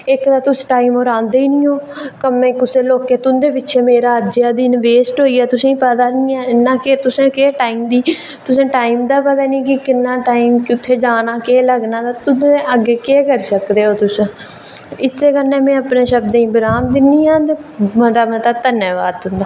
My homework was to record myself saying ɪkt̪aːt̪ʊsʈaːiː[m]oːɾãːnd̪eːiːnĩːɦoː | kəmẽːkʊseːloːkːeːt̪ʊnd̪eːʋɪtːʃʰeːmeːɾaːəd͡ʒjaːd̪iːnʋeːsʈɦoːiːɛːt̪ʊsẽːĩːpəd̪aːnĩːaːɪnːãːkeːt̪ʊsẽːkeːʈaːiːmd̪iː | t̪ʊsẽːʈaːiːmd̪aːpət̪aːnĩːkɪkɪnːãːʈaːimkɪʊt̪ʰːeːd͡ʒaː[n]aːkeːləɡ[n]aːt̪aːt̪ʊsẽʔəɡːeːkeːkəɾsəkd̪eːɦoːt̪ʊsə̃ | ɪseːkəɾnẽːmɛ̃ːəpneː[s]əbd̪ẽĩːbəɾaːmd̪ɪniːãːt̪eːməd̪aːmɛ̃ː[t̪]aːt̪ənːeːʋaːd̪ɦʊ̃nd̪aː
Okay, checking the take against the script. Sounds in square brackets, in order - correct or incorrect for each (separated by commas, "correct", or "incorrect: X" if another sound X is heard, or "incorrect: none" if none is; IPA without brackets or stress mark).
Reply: correct, correct, correct, incorrect: ʃ, correct